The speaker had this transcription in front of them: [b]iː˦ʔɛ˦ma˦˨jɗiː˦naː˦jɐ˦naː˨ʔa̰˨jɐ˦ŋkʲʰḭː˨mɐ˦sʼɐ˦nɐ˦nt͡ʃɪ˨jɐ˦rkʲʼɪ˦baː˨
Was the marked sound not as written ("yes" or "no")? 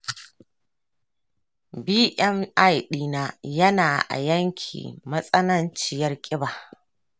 no